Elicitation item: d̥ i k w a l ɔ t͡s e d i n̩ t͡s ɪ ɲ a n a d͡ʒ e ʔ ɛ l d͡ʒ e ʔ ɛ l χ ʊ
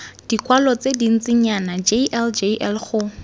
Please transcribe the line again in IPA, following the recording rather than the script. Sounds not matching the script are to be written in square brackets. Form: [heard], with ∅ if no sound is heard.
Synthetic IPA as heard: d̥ i k w a l ɔ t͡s e d i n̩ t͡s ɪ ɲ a n a d͡ʒ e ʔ ɛ l d͡ʒ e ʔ ɛ l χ ʊ